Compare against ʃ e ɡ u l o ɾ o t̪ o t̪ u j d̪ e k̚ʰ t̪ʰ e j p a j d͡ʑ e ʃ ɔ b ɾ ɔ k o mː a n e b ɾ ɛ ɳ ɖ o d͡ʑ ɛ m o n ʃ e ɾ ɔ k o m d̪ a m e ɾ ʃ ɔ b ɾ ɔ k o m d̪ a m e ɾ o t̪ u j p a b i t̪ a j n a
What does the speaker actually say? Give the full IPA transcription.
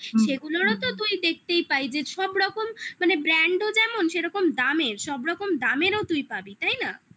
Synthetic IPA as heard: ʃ e ɡ u l o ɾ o t̪ o t̪ u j d̪ e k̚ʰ t̪ e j p a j d͡ʑ e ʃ ɔ b ɾ ɔ k o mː a n e b ɾ ɛ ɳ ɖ o d͡ʑ ɛ m o n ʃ e ɾ ɔ k o m d̪ a m e ɾ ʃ ɔ b ɾ ɔ k o m d̪ a m e ɾ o t̪ u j p a b i t̪ a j n a